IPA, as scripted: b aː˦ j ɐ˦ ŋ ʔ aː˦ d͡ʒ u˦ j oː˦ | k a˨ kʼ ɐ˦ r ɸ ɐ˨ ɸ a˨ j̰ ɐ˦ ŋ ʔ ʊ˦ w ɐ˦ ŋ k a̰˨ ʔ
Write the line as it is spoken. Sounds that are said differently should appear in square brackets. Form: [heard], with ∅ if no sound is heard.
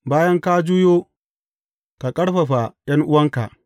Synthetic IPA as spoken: b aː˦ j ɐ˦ ŋ [k] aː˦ d͡ʒ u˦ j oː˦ | k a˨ kʼ ɐ˦ [ɽ] ɸ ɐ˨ ɸ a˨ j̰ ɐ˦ ŋ ʔ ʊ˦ w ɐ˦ ŋ k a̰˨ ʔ